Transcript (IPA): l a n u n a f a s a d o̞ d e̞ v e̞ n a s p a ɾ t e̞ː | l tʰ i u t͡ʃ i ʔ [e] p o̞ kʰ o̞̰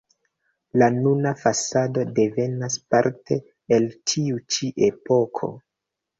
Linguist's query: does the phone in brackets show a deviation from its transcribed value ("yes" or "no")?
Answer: no